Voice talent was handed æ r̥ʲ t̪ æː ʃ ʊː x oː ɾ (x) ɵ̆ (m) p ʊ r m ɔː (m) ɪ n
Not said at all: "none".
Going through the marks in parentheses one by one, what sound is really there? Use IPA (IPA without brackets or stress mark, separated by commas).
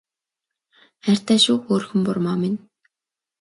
x, m, m